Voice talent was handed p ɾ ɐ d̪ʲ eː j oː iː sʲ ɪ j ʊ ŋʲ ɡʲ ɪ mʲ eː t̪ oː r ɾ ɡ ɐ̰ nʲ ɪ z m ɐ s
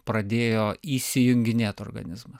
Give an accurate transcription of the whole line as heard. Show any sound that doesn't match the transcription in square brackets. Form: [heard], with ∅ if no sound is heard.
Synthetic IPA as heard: p ɾ ɐ d̪ʲ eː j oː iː sʲ ɪ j ʊ ŋʲ ɡʲ ɪ [nʲ] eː t̪ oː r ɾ ɡ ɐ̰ nʲ ɪ z m ɐ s